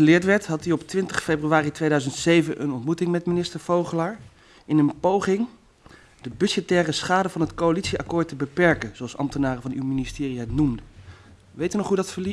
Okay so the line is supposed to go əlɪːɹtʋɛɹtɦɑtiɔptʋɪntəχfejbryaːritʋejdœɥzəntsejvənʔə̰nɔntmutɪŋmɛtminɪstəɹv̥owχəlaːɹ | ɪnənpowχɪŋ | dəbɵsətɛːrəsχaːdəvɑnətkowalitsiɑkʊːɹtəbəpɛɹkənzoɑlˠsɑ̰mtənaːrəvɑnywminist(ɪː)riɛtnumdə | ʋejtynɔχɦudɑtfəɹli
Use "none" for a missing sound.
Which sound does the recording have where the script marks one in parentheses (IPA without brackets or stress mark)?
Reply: ɪː